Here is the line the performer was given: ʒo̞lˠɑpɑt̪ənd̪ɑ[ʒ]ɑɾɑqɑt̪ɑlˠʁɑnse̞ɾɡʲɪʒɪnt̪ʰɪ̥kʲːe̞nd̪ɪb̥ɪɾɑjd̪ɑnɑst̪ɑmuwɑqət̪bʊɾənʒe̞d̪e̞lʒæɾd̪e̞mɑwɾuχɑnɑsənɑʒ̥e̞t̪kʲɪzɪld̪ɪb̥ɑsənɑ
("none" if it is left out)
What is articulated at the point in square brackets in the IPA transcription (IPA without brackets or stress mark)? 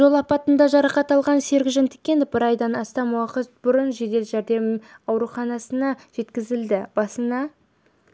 ʒ